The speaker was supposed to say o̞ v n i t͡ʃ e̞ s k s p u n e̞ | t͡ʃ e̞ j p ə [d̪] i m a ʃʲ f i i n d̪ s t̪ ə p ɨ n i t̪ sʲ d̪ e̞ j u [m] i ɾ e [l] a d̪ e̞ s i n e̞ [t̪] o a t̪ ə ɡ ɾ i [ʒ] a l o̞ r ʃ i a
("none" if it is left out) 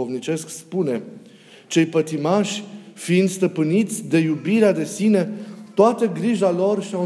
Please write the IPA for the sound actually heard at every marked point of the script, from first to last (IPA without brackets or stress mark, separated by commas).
t̪, b, none, t̪, ʒ